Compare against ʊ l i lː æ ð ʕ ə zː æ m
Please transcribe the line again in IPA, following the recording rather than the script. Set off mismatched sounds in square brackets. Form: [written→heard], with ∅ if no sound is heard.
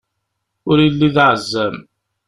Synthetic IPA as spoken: ʊ [l→ɾ] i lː [æ→i] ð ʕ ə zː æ m